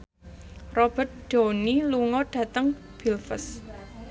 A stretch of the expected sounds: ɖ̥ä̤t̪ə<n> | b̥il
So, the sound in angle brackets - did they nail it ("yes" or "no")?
no